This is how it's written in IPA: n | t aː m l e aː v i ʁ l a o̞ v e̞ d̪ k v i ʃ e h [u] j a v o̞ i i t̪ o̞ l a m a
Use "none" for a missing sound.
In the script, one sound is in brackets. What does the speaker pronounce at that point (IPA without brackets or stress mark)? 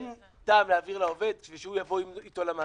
u